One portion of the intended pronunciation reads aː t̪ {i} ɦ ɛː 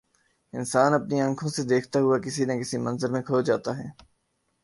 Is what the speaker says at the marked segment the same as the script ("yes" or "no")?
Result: no